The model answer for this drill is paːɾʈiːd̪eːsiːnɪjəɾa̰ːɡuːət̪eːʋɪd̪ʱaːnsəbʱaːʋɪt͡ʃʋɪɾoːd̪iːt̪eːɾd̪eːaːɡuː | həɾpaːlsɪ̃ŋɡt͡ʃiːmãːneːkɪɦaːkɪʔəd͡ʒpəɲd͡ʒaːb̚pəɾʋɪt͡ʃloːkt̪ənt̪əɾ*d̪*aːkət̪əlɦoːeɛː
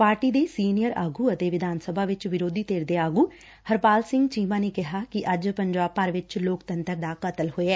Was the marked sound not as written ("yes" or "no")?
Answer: no